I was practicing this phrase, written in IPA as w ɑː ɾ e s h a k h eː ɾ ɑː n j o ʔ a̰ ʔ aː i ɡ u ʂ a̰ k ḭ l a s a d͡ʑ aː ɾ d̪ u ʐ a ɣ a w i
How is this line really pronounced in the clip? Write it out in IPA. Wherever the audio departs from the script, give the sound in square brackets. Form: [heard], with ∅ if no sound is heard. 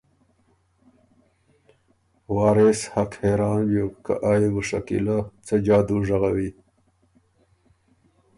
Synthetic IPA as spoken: w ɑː ɾ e s h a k h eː ɾ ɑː n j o [k] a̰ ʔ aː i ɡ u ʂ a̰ k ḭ l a [t͡s] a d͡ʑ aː [∅] d̪ u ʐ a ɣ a w i